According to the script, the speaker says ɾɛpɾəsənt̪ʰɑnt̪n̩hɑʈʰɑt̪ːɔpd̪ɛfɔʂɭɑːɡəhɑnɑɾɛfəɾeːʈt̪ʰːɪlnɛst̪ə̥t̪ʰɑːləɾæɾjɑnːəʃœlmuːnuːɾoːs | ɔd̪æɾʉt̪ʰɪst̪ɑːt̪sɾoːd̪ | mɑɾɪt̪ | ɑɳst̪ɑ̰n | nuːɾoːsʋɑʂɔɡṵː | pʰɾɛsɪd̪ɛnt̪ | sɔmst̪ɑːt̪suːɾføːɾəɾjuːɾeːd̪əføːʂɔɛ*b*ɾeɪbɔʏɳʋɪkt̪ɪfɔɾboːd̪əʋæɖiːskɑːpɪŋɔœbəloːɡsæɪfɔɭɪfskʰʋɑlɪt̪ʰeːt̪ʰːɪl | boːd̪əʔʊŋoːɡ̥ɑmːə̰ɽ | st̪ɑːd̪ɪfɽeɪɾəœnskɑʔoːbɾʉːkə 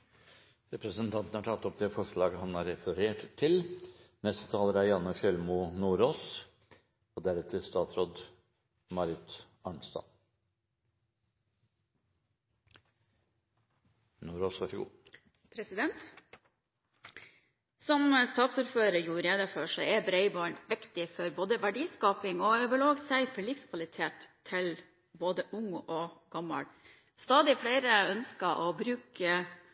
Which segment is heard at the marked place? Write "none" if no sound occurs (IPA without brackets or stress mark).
b